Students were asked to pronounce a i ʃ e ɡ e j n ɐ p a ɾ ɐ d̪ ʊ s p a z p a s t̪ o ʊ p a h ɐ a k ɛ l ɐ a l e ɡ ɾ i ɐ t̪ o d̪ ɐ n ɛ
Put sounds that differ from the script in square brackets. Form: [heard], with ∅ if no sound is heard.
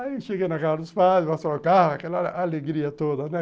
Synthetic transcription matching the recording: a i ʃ e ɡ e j n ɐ [k] a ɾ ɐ d̪ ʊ s p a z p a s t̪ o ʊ [k] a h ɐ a k ɛ l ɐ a l e ɡ ɾ i ɐ t̪ o d̪ ɐ n ɛ

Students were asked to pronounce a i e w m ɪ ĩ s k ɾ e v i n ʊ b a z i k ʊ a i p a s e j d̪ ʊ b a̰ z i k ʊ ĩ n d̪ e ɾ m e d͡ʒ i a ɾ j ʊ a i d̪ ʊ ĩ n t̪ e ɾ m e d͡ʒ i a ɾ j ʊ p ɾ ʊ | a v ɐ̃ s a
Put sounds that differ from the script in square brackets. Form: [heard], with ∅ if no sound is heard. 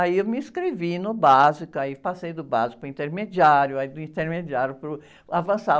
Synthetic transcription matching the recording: a i e w m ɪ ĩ s k ɾ e v i n ʊ b a z i k ʊ a i p a s e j d̪ ʊ b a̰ z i k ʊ ĩ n [t̪] e ɾ m e d͡ʒ i a ɾ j ʊ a i d̪ ʊ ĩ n t̪ e ɾ m e d͡ʒ i a ɾ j ʊ p ɾ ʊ | a v ɐ̃ s a

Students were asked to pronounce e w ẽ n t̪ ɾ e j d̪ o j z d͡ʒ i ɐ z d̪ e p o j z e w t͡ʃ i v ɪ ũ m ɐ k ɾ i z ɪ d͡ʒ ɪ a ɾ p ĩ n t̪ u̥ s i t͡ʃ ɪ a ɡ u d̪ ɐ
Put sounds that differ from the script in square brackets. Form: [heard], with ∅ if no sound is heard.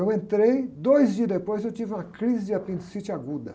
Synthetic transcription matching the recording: e w ẽ n t̪ ɾ e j d̪ o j z d͡ʒ i ɐ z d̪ e p o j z e w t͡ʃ i v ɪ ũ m ɐ k ɾ i z ɪ d͡ʒ ɪ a [∅] p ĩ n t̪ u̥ s i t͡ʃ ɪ a ɡ u d̪ ɐ

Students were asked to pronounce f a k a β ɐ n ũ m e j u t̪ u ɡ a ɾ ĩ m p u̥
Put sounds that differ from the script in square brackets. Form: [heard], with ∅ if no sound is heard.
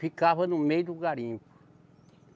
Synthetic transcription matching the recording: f [i] k a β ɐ n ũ m e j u [d̪] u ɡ a ɾ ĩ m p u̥

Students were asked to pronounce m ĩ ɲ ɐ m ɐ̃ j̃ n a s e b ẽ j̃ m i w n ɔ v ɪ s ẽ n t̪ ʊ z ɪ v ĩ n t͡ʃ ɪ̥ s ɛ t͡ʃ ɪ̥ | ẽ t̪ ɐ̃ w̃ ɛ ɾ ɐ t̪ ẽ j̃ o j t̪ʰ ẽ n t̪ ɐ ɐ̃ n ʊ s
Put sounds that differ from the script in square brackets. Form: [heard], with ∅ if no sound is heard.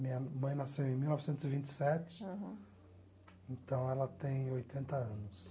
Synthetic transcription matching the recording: m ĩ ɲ ɐ m ɐ̃ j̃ n a s e [w] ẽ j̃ m i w n ɔ v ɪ s ẽ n t̪ ʊ z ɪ v ĩ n t͡ʃ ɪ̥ s ɛ t͡ʃ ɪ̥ | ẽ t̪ ɐ̃ w̃ ɛ [l] ɐ t̪ ẽ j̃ o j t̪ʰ ẽ n t̪ ɐ ɐ̃ n ʊ s

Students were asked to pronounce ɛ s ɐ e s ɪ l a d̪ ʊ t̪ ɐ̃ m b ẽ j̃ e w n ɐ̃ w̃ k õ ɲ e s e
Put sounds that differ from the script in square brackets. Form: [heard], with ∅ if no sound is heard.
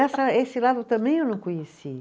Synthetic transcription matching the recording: ɛ s ɐ e s ɪ l a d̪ ʊ t̪ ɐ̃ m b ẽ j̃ e w n ɐ̃ w̃ k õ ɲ e s [i]

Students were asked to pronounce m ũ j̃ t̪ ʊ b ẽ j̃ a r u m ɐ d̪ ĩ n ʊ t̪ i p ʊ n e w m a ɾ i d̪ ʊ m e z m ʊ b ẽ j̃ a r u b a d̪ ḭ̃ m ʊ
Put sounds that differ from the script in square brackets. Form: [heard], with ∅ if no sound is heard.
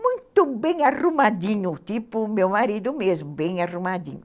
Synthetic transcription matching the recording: m ũ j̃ t̪ ʊ b ẽ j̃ a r u m [a] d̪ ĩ [ɲ] ʊ t̪ i p ʊ [m] e w m a ɾ i d̪ ʊ m e z m ʊ b ẽ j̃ a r u [m] a d̪ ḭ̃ [ɲ] ʊ

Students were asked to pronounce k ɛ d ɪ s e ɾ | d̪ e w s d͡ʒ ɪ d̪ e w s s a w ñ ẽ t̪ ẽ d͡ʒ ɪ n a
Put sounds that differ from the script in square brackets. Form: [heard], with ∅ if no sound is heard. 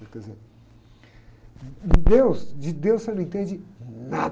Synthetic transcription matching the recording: k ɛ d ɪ [z] e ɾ | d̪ e w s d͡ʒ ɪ d̪ e w s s [e] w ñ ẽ t̪ ẽ d͡ʒ ɪ n a

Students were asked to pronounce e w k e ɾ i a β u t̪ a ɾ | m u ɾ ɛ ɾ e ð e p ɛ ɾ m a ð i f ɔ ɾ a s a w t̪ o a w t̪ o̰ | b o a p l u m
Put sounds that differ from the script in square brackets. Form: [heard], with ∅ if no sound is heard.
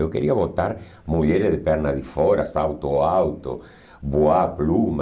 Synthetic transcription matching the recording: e w k e ɾ i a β [o] t̪ a ɾ | m u [ʎ] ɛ ɾ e ð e p ɛ ɾ [n] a ð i f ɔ ɾ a s a w t̪ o a w t̪ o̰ | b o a p l u m

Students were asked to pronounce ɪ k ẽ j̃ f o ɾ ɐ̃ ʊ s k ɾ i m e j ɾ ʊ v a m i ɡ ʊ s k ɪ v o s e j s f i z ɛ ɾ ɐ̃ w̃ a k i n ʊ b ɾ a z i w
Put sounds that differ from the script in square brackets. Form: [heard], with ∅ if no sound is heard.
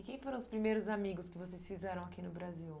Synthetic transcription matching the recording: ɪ k ẽ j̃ f o ɾ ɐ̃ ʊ s [p] ɾ i m e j ɾ ʊ [z] a m i ɡ ʊ s k ɪ v o s e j s f i z ɛ ɾ ɐ̃ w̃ a k i n ʊ b ɾ a z i w

